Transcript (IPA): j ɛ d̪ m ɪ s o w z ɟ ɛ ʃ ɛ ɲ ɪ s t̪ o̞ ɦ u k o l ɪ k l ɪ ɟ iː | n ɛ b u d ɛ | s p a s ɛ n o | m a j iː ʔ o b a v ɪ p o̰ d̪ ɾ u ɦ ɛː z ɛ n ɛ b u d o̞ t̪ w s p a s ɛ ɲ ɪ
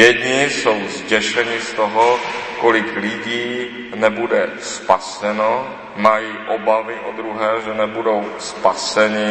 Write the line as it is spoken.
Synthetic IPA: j ɛ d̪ ɲ ɪ s o w z ɟ ɛ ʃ ɛ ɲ ɪ s t̪ o̞ ɦ o k o l ɪ k l ɪ ɟ iː | n ɛ b u d ɛ | s p a s ɛ n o | m a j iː ʔ o b a v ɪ ʔ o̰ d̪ ɾ u ɦ ɛː ʒ ɛ n ɛ b u d o̞ w s p a s ɛ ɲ ɪ